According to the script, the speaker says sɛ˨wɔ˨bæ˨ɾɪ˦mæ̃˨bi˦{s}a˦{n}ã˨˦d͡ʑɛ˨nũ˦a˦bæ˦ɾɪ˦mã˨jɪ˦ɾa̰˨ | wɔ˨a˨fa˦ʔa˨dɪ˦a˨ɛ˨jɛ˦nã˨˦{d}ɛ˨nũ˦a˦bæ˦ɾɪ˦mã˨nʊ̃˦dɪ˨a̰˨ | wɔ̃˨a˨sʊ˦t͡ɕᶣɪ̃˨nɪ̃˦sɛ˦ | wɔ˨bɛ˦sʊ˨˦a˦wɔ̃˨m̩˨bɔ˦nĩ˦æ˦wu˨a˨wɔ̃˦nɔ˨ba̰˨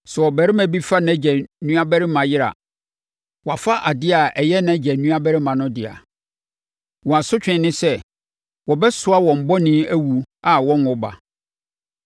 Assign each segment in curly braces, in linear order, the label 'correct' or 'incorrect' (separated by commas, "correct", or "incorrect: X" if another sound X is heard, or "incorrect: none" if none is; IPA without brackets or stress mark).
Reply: incorrect: f, correct, incorrect: d͡ʑ